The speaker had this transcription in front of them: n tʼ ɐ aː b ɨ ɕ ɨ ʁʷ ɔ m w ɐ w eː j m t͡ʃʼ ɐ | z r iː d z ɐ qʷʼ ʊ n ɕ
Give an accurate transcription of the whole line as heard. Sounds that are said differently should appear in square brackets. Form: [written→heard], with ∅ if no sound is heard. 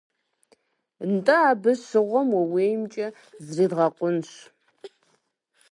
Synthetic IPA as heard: n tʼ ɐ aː b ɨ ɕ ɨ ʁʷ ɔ m w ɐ w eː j m t͡ʃʼ ɐ | z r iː d [z→ʁ] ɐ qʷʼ ʊ n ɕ